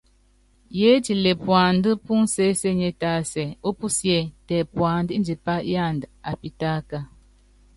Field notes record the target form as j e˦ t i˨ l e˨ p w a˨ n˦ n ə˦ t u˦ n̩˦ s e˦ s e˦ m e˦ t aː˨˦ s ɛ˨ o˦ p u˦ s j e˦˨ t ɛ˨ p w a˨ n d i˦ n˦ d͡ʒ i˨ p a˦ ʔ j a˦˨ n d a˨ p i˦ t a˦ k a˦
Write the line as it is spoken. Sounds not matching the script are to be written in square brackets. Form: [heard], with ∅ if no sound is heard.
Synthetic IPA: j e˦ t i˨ l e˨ p w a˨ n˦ [d] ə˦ [p] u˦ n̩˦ s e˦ s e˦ [ɲ] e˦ t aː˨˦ s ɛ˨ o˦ p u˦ s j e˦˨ t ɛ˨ p w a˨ n d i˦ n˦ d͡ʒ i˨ p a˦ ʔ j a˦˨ n d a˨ p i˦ t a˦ k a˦